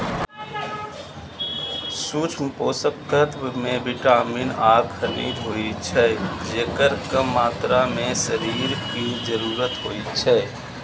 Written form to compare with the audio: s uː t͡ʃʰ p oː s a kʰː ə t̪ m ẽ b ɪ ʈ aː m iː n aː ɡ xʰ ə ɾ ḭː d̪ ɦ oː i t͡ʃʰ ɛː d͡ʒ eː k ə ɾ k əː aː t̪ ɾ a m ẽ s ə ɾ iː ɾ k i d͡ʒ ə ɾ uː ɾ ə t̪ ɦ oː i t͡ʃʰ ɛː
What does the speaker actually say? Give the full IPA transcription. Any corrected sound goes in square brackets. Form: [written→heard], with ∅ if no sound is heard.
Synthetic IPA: s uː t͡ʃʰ p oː s [a→ə] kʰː ə t̪ m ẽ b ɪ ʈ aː m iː n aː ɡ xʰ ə ɾ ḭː d̪ ɦ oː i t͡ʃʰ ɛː d͡ʒ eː k ə ɾ k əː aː t̪ ɾ a m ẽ s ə ɾ iː ɾ k i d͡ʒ ə ɾ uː ɾ ə t̪ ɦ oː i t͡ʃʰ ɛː